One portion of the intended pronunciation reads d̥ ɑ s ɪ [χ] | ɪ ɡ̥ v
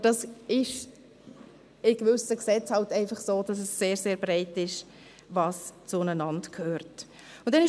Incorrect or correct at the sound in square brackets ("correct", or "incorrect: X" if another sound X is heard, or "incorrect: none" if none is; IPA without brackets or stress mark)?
incorrect: ʃ